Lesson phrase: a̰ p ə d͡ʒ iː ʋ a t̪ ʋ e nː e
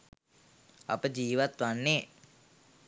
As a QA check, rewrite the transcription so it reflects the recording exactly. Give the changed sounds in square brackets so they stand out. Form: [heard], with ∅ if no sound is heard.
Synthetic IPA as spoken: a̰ p ə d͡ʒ iː ʋ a t̪ ʋ [a] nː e